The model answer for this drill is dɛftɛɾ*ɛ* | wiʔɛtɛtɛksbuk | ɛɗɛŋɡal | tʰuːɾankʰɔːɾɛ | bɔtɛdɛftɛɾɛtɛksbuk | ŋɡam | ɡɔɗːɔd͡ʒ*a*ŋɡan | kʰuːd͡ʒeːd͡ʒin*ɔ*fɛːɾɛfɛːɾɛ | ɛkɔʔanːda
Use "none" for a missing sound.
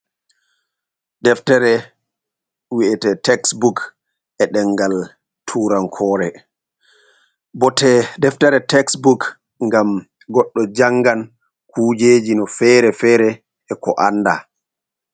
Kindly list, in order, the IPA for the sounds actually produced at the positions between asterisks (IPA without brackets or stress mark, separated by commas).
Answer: ɛ, a, ɔ